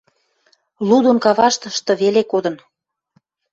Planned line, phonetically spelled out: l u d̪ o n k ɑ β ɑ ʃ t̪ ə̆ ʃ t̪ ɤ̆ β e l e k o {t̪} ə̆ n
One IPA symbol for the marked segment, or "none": d̪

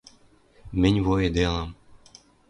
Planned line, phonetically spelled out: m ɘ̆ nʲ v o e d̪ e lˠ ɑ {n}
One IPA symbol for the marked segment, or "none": m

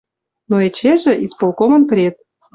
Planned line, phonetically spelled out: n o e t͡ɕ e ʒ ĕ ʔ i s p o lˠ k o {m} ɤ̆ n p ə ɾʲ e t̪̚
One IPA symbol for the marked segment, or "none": m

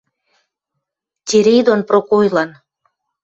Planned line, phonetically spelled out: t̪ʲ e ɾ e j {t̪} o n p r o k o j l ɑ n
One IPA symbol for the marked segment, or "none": d̪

